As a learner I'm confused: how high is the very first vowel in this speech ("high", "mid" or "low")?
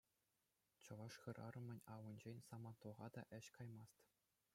mid